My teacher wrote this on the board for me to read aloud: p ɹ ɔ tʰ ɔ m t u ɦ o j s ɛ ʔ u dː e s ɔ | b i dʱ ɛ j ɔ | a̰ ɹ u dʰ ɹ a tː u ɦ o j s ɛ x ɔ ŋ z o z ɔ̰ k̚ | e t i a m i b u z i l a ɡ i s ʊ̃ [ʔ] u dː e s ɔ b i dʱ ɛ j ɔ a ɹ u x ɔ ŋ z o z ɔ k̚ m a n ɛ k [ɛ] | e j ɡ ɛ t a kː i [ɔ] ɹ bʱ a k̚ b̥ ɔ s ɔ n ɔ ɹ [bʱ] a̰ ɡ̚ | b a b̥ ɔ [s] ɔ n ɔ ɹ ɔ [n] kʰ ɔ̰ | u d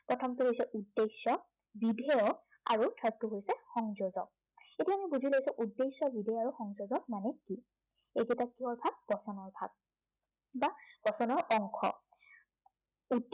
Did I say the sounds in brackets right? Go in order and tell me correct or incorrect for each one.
correct, incorrect: i, correct, correct, correct, incorrect: ŋ

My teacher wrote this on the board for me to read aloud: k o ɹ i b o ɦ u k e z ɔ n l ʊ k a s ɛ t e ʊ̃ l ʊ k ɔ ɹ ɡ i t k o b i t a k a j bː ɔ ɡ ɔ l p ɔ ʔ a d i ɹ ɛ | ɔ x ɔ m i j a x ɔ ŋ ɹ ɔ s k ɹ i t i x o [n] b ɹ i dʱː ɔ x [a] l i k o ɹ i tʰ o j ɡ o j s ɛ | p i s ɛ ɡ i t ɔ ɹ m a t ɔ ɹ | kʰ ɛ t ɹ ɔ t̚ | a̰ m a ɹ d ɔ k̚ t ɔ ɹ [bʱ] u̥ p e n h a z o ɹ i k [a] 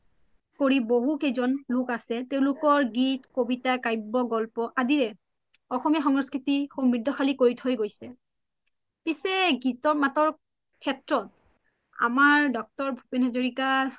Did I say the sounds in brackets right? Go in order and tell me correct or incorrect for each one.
incorrect: m, correct, correct, correct

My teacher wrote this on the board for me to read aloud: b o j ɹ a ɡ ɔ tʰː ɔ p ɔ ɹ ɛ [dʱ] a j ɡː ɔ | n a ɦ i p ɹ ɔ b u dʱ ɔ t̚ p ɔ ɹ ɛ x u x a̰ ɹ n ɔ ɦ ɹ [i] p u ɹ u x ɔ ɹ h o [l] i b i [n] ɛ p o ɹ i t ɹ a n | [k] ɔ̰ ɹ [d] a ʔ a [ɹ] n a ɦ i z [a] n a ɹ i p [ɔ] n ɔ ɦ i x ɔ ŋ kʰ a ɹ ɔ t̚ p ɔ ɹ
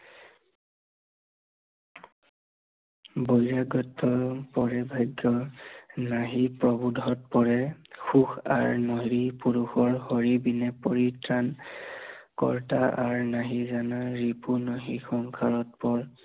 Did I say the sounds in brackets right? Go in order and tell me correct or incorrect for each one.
incorrect: bʱ, correct, incorrect: ɹ, correct, correct, incorrect: t, correct, correct, incorrect: u

